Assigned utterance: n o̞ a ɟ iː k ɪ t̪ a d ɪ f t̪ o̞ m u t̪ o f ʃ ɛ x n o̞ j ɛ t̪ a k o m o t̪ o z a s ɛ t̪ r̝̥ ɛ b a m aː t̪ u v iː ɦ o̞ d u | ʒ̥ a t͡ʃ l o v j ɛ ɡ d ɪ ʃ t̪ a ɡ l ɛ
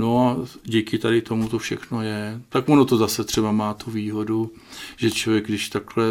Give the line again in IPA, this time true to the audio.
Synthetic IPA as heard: n o̞ a ɟ iː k ɪ t̪ a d ɪ t̪ o̞ m u t̪ o f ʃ ɛ x n o̞ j ɛ t̪ a k o n o t̪ o z a s ɛ t̪ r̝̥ ɛ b a m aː t̪ u v iː ɦ o̞ d u | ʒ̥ ɛ t͡ʃ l o v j ɛ ɡ d ɪ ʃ t̪ a k l ɛ